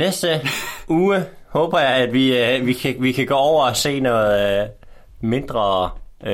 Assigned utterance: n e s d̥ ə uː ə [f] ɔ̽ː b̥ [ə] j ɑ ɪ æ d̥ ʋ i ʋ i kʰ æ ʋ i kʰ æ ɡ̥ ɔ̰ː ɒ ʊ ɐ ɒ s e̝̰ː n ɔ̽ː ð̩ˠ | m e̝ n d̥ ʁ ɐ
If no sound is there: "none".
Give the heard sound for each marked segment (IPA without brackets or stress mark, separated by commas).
h, ɐ